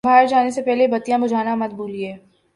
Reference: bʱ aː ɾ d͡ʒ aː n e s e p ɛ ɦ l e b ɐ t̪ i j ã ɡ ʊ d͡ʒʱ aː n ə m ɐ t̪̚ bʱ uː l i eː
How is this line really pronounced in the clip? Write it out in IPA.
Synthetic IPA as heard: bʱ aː ɾ d͡ʒ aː n e s e p ɛ ɦ l e b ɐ t̪ i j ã b ʊ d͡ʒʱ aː n a m ɐ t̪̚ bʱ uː l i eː